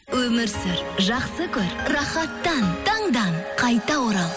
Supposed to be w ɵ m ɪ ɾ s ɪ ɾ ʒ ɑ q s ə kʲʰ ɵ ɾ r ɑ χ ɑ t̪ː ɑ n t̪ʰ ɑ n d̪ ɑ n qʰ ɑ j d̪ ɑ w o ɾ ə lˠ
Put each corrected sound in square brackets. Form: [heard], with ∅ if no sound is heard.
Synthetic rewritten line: w ɵ m ɪ ɾ s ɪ ɾ ʒ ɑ q s ə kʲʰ ɵ ɾ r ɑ χ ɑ t̪ː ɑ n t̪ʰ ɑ [ɴ] d̪ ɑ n qʰ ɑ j [t̪] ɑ w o ɾ [ɑ] lˠ

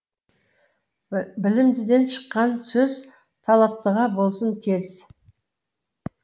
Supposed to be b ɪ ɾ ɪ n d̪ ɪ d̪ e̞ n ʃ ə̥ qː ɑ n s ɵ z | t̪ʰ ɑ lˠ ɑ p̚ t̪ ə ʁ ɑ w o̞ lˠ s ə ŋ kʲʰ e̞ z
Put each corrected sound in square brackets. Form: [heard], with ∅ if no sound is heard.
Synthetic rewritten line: b ɪ [l] ɪ [m] d̪ ɪ d̪ e̞ n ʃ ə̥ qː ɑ n s ɵ z | t̪ʰ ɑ lˠ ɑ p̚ t̪ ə ʁ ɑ [b] o̞ lˠ s ə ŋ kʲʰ e̞ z

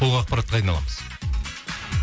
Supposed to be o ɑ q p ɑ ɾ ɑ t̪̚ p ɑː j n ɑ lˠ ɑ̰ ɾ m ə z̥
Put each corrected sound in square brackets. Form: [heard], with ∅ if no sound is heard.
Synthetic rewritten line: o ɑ q p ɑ ɾ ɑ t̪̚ [q] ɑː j n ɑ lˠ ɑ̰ [∅] m ə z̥

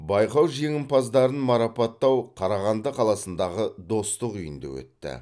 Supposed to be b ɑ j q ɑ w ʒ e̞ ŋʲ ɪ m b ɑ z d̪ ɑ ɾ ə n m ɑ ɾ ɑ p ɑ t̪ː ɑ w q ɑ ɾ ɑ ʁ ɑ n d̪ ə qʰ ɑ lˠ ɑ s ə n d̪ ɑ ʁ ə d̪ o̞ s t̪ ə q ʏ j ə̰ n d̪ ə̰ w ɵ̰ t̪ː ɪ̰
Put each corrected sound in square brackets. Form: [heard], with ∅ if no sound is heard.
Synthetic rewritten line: b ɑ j q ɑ w ʒ e̞ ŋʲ ɪ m [p] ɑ z d̪ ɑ ɾ ə n m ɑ ɾ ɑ p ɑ t̪ː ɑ w [qʰ] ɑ ɾ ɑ ʁ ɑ n d̪ ə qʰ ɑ lˠ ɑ s ə n d̪ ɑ ʁ ə d̪ o̞ s t̪ ə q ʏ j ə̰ n d̪ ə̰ w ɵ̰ t̪ː ɪ̰

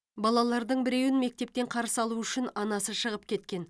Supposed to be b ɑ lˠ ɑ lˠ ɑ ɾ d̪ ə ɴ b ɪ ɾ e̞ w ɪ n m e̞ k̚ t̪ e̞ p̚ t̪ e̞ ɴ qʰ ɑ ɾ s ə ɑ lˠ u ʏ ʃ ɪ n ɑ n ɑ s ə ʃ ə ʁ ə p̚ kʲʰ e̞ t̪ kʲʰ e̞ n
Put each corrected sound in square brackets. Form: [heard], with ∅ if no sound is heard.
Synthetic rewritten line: b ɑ lˠ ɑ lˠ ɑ ɾ d̪ ə ɴ b ɪ ɾ e̞ w ɪ n m e̞ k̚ t̪ e̞ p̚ t̪ e̞ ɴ qʰ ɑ ɾ s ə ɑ lˠ u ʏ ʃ ɪ n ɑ n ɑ s ə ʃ ə ʁ ə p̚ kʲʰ e̞ t̪ [kʲ] e̞ n

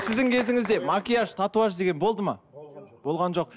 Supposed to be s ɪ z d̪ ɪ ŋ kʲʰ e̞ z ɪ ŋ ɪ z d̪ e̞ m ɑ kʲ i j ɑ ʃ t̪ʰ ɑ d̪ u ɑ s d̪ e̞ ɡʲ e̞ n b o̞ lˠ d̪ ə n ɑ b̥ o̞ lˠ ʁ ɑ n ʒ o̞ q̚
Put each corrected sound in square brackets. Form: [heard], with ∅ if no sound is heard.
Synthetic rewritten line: s ɪ z d̪ ɪ ŋ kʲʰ e̞ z ɪ ŋ ɪ z d̪ e̞ m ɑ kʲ i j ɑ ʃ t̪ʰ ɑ [t̪] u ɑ [ʃ] d̪ e̞ ɡʲ e̞ n b o̞ lˠ d̪ ə [m] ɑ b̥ o̞ lˠ ʁ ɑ n ʒ o̞ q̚

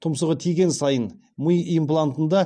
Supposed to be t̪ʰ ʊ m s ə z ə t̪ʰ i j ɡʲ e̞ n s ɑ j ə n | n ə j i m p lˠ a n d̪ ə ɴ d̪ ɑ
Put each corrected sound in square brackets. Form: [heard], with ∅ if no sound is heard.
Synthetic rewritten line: t̪ʰ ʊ m s ə [ʁ] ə t̪ʰ i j ɡʲ e̞ n s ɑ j ə n | [m] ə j i m p lˠ a n [t̪] ə [n] d̪ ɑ

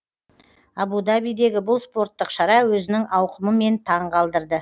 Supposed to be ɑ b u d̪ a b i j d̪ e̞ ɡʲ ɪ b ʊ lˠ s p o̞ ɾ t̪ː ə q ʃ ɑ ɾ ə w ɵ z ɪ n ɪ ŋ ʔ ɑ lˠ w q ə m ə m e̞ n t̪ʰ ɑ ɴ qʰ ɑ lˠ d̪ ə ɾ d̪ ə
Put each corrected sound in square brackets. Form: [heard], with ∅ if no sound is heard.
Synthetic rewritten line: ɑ b u d̪ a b i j d̪ e̞ ɡʲ ɪ b ʊ lˠ s p o̞ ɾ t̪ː ə q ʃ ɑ ɾ [ɑ] w ɵ z ɪ n ɪ ŋ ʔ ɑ [∅] w q ə m ə m e̞ n t̪ʰ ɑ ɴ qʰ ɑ lˠ d̪ ə ɾ d̪ ə

